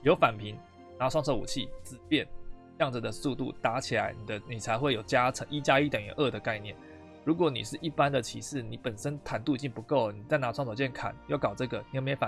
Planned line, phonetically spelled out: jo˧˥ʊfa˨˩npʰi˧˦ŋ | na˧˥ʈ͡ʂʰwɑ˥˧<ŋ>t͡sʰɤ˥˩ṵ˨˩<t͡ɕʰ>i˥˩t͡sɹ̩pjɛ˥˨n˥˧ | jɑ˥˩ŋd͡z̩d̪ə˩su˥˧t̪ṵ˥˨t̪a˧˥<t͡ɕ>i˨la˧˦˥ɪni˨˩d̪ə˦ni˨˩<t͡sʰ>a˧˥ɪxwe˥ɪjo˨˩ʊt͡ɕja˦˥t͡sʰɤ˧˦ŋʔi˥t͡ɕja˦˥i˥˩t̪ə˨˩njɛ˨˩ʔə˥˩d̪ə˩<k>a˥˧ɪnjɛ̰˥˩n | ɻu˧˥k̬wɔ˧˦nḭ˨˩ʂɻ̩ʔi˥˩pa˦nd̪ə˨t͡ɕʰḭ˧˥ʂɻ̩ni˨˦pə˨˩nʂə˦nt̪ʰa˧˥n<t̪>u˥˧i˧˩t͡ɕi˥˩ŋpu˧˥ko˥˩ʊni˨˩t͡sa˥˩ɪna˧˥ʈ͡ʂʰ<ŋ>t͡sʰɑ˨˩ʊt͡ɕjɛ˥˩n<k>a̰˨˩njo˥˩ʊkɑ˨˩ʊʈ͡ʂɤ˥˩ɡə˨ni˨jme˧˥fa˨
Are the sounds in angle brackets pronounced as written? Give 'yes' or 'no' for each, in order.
yes, yes, no, yes, yes, yes, yes, no

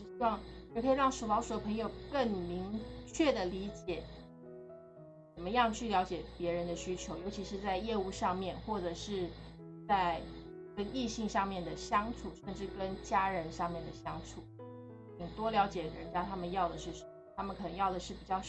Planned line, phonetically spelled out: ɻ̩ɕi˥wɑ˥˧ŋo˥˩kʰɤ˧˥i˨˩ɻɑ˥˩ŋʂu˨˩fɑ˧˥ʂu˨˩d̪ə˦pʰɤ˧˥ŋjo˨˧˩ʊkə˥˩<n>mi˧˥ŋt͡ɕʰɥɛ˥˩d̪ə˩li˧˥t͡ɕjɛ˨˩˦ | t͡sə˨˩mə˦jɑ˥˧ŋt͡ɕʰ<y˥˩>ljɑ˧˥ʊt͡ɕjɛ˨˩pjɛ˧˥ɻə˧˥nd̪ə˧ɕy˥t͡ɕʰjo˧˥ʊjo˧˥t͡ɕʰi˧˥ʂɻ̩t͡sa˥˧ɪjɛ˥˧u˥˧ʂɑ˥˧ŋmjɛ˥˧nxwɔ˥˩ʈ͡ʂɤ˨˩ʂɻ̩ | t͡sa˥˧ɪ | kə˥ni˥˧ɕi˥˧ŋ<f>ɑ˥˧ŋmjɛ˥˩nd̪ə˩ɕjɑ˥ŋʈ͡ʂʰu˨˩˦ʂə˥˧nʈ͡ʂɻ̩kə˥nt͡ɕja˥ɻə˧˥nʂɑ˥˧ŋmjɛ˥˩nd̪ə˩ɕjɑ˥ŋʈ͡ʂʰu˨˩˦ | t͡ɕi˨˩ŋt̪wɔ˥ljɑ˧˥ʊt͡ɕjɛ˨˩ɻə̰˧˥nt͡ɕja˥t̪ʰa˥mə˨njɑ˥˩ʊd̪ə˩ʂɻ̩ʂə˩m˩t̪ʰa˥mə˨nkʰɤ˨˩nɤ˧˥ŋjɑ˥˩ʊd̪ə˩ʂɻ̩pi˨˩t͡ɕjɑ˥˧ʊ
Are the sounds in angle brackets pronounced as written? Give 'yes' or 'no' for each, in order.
no, yes, no

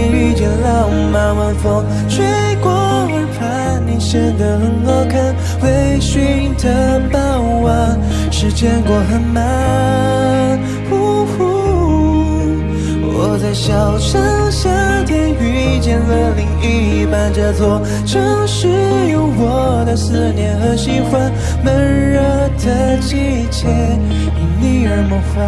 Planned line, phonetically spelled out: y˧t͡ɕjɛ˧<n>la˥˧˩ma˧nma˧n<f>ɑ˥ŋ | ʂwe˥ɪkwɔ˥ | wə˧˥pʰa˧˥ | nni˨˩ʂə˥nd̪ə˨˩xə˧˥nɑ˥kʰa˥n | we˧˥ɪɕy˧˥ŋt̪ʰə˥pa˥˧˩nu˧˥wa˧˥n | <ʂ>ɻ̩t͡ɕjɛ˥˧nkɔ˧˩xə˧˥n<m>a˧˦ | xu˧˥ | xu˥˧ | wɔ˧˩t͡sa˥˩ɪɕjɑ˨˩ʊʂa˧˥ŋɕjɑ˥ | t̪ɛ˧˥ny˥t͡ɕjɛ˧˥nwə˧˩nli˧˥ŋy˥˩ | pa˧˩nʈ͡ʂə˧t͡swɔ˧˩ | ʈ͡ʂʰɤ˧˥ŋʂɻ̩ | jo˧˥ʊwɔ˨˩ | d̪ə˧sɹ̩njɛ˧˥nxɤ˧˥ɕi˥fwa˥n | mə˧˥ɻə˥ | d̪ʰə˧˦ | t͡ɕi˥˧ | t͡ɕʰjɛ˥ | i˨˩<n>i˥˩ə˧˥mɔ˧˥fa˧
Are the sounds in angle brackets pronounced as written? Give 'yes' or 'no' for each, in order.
yes, yes, yes, yes, yes

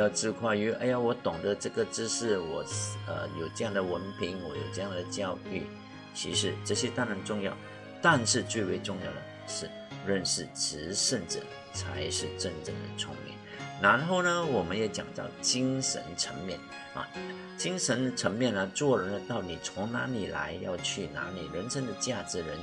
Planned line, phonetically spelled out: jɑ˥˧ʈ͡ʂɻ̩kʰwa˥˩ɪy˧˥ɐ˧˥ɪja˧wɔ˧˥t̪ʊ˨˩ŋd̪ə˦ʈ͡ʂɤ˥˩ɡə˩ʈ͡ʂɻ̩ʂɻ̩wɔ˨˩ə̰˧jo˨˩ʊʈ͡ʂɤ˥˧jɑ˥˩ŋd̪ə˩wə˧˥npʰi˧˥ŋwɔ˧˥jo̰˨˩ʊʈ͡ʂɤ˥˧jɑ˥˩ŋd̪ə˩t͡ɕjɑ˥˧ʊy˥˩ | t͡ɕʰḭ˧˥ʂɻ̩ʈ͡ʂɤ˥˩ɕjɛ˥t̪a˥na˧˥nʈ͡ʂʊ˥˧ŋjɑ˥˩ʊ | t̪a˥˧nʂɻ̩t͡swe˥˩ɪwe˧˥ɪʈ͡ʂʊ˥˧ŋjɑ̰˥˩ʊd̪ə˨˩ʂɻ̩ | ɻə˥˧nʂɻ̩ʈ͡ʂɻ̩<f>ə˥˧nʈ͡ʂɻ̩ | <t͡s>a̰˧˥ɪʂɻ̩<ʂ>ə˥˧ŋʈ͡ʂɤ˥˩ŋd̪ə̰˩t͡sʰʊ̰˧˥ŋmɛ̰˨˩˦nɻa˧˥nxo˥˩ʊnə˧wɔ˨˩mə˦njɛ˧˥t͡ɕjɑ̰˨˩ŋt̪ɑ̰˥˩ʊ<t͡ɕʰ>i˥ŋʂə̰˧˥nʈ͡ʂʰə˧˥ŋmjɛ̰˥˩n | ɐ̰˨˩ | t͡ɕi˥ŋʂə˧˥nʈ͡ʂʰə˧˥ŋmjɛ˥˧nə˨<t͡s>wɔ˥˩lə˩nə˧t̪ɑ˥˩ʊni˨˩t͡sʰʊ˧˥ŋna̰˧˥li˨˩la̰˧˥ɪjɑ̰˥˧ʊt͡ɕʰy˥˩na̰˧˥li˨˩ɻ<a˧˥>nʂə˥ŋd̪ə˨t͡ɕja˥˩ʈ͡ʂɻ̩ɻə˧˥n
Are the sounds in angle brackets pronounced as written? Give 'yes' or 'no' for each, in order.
no, no, no, no, yes, no

